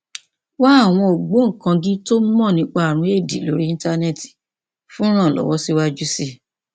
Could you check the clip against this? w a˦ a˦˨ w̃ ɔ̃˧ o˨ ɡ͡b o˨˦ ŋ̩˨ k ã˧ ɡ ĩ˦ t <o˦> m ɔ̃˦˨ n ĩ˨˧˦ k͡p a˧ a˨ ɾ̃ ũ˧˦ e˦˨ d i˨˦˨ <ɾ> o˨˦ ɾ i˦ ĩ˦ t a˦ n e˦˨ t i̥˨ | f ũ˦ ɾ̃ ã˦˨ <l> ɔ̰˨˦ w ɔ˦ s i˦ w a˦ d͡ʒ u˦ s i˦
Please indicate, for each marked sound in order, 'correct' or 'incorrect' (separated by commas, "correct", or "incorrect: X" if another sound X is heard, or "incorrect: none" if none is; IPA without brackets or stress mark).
correct, incorrect: l, correct